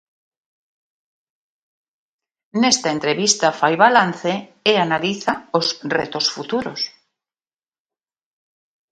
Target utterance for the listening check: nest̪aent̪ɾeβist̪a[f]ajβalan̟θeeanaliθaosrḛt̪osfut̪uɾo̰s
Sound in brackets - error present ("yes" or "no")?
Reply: no